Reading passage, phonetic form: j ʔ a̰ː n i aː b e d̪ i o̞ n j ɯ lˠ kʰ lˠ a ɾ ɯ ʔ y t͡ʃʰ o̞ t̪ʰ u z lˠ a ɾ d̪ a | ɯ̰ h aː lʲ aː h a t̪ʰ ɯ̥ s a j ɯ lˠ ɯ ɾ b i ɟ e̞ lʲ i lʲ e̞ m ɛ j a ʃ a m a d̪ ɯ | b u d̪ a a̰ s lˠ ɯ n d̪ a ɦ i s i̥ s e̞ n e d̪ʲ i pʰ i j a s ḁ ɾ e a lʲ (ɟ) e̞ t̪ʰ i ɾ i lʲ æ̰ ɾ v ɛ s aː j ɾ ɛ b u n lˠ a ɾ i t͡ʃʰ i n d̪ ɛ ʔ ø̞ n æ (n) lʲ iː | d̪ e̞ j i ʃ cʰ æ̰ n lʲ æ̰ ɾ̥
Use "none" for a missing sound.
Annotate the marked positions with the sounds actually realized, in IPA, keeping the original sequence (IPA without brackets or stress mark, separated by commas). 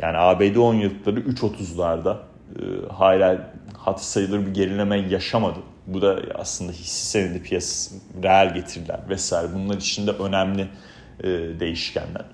ɟ, m